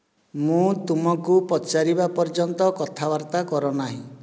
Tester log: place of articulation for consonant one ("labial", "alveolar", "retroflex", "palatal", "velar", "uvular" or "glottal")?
labial